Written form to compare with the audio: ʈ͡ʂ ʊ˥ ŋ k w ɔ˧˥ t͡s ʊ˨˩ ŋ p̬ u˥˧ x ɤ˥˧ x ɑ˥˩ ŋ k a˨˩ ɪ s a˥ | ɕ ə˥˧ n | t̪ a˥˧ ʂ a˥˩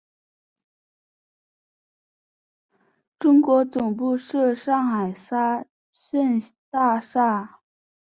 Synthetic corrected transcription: ʈ͡ʂ ʊ˥ ŋ k w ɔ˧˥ t͡s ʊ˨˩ ŋ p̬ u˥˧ ʂ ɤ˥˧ ʂ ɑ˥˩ ŋ x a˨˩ ɪ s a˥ | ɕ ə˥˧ n | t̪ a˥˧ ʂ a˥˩